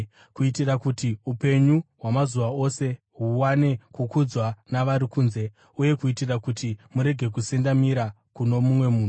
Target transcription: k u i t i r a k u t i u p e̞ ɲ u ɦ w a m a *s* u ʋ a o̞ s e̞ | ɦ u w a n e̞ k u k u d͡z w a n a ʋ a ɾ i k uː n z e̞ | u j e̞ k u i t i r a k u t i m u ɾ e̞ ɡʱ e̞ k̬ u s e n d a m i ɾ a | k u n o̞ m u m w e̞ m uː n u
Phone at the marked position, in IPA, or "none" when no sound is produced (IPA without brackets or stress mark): z